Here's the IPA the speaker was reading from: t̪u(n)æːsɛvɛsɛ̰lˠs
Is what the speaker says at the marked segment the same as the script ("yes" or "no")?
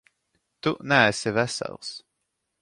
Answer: yes